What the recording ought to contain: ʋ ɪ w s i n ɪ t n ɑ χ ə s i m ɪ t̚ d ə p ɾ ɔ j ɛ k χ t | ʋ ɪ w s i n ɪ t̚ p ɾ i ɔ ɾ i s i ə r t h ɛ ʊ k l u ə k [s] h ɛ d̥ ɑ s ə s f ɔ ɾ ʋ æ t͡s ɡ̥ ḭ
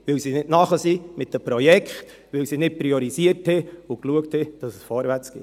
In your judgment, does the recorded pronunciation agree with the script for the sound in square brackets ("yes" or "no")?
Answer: no